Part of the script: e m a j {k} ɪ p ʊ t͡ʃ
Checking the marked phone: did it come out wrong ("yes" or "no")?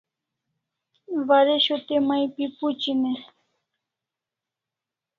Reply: yes